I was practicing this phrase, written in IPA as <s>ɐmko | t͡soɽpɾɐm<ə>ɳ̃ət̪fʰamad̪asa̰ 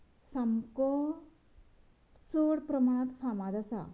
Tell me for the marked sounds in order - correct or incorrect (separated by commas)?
correct, incorrect